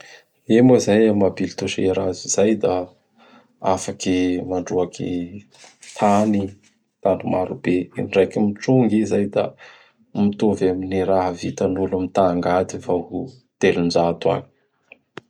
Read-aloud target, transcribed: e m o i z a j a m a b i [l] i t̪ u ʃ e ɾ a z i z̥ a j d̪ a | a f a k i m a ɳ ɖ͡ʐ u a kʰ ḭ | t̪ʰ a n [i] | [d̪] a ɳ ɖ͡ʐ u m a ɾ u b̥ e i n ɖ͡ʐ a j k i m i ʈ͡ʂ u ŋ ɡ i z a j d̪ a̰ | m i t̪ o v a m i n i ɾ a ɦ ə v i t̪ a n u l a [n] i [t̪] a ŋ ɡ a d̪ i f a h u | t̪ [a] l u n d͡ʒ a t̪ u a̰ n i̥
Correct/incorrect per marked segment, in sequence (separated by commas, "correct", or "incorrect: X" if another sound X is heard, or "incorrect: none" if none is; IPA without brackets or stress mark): correct, correct, incorrect: t̪, incorrect: m, correct, incorrect: e